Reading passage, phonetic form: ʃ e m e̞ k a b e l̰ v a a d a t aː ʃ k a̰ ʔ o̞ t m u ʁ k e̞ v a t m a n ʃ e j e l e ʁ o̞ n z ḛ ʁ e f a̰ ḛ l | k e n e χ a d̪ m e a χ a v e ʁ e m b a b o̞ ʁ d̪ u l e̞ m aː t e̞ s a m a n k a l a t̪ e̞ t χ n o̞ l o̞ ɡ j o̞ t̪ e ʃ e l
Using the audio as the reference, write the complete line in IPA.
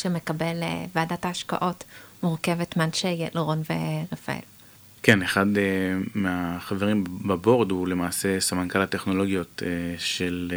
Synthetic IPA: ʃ e m e̞ k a b e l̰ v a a d a t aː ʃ k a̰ ʔ o̞ t m u ʁ k e̞ v e t m a n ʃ e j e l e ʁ o̞ n v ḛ ʁ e f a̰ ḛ l | k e n e χ a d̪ m e a χ a v e ʁ i m b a b o̞ ʁ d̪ u l e̞ m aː s e̞ s a m a n k a l a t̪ e̞ χ n o̞ l o̞ ɡ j o̞ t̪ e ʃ e l